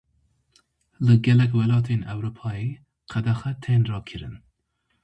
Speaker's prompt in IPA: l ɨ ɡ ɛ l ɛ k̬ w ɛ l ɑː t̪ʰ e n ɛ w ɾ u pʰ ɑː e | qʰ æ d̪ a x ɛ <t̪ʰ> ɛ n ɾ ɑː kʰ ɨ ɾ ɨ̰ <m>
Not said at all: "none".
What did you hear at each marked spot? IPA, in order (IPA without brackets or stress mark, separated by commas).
t̪ʰ, n